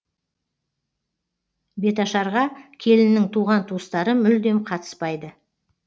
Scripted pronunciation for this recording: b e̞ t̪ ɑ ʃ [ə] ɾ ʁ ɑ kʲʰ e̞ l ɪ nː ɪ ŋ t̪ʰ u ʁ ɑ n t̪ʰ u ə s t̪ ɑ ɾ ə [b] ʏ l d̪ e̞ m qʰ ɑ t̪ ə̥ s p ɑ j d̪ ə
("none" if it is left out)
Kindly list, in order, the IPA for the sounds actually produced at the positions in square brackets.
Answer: ɑ, m

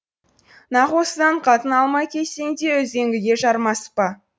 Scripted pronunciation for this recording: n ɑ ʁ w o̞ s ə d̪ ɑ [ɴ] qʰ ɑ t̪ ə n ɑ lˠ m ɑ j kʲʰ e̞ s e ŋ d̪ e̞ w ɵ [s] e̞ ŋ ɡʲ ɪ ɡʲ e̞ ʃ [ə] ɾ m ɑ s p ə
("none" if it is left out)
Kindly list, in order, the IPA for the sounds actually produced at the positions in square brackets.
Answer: ɴ, z, ɑ

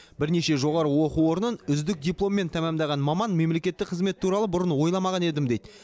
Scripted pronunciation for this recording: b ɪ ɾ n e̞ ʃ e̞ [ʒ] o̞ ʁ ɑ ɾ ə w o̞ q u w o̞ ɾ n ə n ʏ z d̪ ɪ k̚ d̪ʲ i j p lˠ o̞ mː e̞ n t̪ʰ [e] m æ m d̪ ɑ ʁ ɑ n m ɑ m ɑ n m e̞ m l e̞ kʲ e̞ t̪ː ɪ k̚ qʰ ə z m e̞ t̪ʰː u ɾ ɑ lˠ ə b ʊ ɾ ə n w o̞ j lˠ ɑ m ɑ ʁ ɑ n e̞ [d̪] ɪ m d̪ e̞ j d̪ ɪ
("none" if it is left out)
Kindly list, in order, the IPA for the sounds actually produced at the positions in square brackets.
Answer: ʒ, æ, d̪

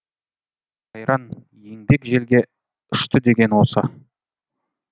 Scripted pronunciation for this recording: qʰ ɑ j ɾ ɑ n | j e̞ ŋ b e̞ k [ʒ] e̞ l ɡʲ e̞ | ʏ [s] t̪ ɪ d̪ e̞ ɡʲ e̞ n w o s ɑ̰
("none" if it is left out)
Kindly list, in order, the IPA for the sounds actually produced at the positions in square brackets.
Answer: ʒ, ʃ

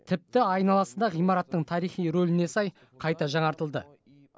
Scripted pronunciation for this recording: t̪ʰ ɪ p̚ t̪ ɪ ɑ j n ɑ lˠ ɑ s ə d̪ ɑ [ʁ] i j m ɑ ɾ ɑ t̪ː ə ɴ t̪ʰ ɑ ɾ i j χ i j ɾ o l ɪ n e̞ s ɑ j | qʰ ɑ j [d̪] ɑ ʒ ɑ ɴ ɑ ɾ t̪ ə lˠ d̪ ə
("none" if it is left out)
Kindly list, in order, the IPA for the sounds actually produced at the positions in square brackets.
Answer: ʁ, t̪

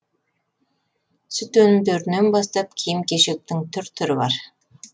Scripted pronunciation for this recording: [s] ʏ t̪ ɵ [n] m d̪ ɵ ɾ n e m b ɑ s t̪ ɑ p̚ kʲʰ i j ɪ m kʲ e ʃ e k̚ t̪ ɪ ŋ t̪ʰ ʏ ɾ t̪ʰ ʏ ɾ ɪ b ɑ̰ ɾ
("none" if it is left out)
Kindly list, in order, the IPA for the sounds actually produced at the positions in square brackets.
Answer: s, n

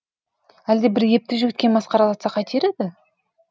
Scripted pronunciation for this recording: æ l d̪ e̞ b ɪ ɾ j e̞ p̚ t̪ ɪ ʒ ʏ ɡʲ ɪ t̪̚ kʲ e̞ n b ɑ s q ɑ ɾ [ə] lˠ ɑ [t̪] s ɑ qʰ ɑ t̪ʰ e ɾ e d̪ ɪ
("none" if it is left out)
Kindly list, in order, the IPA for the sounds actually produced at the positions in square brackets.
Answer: ɑ, t̪

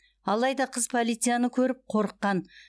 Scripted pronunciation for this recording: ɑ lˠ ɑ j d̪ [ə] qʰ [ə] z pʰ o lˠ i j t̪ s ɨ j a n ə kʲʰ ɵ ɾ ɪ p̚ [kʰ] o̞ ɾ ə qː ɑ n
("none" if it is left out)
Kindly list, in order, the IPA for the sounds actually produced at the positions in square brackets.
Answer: ɑ, ə, qʰ

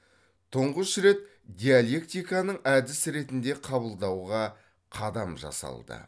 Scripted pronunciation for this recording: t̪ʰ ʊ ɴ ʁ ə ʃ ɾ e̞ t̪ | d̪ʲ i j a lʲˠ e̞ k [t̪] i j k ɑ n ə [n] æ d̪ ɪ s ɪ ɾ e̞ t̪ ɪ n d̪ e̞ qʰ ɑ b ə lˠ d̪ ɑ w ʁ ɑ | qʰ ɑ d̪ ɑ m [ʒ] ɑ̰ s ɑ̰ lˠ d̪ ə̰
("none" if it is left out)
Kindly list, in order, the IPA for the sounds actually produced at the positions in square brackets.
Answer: t̪, ɴ, ʒ

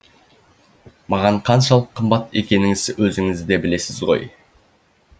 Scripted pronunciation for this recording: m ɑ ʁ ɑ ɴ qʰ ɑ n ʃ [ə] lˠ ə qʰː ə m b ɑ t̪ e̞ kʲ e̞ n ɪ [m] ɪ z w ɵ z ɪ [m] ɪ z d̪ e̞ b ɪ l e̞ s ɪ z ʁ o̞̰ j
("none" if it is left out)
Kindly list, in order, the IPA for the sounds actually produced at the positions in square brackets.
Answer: ɑ, ŋ, ŋ

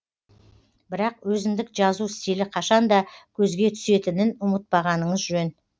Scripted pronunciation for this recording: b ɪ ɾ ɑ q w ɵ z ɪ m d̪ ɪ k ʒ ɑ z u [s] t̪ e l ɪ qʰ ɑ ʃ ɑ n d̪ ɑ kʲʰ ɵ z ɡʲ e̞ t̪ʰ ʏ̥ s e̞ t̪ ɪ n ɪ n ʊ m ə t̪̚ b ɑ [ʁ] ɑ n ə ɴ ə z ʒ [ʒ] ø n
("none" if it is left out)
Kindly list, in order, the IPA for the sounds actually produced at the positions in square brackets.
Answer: s, ʁ, ʒ

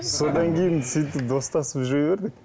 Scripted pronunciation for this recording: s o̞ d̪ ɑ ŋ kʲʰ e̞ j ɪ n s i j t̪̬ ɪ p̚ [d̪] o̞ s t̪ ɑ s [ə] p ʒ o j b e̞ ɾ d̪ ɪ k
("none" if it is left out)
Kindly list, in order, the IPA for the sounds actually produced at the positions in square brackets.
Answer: d̪, ə

